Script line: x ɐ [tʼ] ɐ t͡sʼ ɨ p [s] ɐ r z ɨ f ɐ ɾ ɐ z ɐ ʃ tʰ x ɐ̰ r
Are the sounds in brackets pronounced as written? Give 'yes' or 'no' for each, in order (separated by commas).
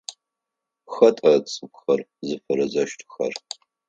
yes, no